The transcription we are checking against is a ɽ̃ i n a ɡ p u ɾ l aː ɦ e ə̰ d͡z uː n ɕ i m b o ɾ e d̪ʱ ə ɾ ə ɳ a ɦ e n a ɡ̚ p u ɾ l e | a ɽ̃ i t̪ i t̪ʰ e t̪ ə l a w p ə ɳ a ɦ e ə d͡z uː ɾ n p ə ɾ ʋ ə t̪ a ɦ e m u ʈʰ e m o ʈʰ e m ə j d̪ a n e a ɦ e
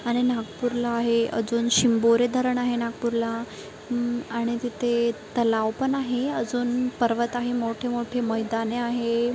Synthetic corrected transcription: a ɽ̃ i n a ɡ p u ɾ l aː ɦ e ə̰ d͡z uː n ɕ i m b o ɾ e d̪ʱ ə ɾ ə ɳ a ɦ e n a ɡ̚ p u ɾ l a | a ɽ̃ i t̪ i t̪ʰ e t̪ ə l a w p ə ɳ a ɦ e ə d͡z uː n p ə ɾ ʋ ə t̪ a ɦ e m o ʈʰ e m o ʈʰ e m ə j d̪ a n e a ɦ e